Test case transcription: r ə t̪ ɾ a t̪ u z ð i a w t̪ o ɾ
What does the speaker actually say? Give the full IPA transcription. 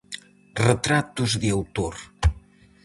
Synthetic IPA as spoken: r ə t̪ ɾ a t̪ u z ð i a w t̪ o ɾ

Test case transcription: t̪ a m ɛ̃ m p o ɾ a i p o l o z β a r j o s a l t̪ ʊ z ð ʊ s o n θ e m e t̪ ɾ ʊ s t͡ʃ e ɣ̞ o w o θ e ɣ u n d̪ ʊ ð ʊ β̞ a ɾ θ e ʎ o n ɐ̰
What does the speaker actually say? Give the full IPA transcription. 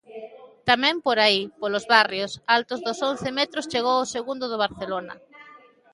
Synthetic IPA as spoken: t̪ a m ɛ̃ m p o ɾ a i p o l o z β a r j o s a l t̪ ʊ z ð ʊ s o n θ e m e t̪ ɾ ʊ s t͡ʃ e ɣ̞ o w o s e ɣ u n d̪ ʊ ð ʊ β̞ a ɾ θ e l o n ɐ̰

